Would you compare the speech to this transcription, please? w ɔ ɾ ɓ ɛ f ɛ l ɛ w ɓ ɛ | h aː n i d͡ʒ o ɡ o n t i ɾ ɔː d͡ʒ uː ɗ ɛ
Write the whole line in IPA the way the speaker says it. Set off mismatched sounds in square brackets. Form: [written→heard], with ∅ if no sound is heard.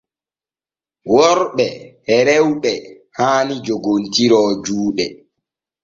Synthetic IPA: w ɔ ɾ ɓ ɛ [f→h] ɛ [l→ɾ] ɛ w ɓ ɛ | h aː n i d͡ʒ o ɡ o n t i ɾ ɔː d͡ʒ uː ɗ ɛ